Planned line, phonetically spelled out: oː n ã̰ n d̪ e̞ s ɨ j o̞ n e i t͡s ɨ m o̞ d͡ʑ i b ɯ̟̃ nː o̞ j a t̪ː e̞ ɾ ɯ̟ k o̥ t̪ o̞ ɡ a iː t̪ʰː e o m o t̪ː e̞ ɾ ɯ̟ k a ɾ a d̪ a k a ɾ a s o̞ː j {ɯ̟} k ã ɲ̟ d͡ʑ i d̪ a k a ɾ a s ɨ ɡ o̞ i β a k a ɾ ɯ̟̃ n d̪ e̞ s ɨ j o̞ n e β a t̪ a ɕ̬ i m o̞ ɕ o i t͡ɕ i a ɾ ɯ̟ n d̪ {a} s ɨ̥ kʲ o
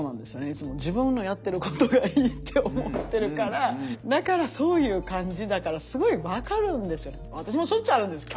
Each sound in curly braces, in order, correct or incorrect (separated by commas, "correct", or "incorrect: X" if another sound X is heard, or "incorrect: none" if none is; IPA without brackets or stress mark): incorrect: ɯ̟ː, incorrect: e